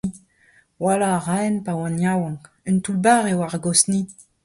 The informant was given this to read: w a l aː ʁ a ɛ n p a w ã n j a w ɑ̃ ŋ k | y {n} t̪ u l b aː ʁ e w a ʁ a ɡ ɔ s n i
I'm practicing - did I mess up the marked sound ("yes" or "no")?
no